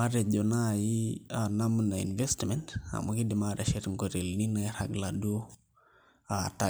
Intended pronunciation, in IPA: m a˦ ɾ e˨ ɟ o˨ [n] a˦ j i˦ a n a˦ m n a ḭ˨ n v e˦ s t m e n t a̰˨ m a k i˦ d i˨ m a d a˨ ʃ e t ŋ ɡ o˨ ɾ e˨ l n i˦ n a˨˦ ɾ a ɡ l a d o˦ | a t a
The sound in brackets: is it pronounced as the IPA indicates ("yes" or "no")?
yes